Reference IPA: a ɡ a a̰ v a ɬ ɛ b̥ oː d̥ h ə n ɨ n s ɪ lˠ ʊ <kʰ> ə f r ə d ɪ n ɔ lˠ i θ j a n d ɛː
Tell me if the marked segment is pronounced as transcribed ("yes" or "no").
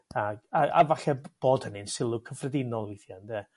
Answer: yes